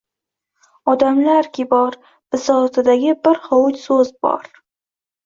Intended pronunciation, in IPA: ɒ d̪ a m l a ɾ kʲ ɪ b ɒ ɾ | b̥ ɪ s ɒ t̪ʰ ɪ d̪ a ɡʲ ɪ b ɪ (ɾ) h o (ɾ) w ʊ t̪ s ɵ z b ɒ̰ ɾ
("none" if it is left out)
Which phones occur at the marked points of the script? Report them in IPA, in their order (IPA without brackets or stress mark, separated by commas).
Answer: ɾ, none